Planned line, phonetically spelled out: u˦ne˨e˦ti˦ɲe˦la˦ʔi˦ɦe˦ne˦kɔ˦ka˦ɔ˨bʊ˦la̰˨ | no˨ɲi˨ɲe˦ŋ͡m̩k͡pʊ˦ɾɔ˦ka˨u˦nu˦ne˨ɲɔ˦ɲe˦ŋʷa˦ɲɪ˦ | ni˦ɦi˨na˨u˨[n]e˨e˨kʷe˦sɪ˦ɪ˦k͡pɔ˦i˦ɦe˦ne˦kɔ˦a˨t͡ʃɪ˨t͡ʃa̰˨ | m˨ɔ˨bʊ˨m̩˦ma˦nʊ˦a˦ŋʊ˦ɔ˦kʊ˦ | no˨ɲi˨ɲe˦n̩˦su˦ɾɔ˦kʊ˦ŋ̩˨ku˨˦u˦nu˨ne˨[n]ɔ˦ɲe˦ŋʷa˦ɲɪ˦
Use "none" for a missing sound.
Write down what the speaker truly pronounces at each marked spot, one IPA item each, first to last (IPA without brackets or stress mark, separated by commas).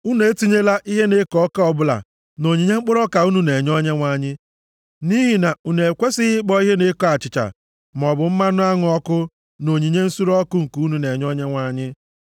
n, ɲ